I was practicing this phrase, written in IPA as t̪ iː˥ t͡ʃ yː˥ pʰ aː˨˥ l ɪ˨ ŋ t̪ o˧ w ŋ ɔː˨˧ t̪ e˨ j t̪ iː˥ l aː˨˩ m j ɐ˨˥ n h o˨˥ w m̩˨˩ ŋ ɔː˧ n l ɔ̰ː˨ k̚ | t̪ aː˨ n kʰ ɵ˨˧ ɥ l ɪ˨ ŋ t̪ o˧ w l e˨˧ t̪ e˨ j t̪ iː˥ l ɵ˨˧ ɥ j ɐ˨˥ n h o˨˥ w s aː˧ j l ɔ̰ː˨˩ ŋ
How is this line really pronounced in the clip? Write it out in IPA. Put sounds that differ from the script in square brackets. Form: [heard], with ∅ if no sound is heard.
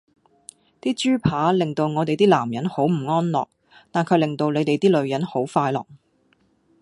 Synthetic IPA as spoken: t̪ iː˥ t͡ʃ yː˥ pʰ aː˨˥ l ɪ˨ ŋ t̪ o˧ w ŋ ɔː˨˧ t̪ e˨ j t̪ iː˥ l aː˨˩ m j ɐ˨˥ n h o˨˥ w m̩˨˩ ŋ [ɔː˥] n l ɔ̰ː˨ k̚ | t̪ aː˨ n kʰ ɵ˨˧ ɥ l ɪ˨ ŋ t̪ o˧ w l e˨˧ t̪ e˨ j t̪ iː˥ l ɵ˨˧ ɥ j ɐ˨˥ n h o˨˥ w [f] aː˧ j l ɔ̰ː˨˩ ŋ